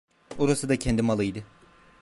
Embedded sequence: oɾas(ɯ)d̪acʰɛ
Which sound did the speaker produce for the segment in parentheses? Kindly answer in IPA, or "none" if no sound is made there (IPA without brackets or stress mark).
ɯ